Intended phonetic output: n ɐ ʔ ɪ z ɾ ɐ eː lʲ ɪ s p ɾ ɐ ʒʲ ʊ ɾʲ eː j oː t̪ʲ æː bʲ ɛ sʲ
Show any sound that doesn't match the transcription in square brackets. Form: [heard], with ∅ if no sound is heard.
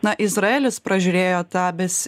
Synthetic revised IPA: n ɐ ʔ ɪ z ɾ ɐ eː lʲ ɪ s p ɾ ɐ ʒʲ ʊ ɾʲ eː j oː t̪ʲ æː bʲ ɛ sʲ